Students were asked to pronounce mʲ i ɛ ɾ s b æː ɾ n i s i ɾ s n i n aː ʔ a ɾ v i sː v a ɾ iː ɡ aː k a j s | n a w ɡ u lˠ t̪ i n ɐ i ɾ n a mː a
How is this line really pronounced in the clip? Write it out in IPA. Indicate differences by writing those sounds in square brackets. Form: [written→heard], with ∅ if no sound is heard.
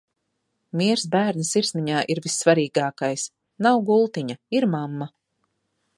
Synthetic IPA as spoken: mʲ i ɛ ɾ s b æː ɾ n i s i ɾ s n i [n→ɲ] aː ʔ [a→i] ɾ v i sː v a ɾ iː ɡ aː k a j s | n a w ɡ u lˠ t̪ i [n→ɲ] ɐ i ɾ [n→m] a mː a